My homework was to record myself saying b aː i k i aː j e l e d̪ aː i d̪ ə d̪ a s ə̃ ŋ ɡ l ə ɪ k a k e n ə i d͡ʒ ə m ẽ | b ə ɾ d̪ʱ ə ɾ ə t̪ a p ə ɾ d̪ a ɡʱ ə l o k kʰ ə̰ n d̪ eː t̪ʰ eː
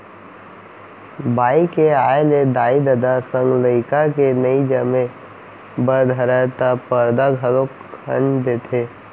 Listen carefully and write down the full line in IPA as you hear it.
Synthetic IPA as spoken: b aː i k e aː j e l e d̪ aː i d̪ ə d̪ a s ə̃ ŋ ɡ l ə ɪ k a k e n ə i d͡ʒ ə m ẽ | b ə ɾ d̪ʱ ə ɾ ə t̪ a p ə ɾ d̪ a ɡʱ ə l o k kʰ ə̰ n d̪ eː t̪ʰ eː